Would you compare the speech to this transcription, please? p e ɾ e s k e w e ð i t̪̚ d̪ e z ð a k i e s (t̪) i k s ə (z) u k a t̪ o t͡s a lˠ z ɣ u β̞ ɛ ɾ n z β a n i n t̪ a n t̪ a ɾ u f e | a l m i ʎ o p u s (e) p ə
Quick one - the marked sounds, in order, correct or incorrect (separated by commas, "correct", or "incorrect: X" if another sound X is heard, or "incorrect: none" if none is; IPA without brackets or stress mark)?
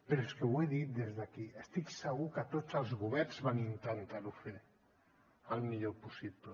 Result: correct, incorrect: ɣ, incorrect: i